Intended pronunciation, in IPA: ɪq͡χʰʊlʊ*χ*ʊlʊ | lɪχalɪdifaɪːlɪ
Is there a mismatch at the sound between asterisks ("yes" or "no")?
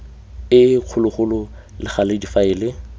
no